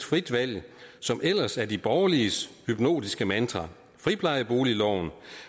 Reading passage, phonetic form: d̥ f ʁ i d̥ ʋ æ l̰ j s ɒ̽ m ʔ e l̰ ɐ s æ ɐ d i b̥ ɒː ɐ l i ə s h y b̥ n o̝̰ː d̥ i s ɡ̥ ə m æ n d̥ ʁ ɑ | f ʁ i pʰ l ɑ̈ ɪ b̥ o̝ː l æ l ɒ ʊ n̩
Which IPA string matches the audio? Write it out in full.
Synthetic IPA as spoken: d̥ f ʁ i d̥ ʋ æ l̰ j s ɒ̽ m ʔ e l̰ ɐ s æ ɐ d i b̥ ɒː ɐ l i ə s h y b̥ n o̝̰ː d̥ i s ɡ̥ ə m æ n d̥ ʁ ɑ | f ʁ i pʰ l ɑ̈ ɪ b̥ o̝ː l i l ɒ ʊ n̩